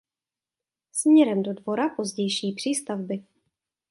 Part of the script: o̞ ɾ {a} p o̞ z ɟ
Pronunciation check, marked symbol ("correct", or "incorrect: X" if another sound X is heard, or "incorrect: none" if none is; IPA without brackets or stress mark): correct